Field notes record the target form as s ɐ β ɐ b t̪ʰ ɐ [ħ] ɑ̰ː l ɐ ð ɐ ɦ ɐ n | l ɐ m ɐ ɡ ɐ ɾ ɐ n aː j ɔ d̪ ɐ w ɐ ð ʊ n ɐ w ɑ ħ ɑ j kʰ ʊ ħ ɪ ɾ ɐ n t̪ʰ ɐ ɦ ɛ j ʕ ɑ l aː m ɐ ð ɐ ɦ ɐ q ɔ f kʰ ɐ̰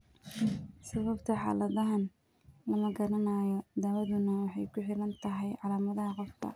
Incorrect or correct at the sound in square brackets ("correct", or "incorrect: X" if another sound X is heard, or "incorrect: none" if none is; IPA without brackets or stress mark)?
correct